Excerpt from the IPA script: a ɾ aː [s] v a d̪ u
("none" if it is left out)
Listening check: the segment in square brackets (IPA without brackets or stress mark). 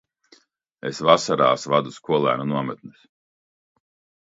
s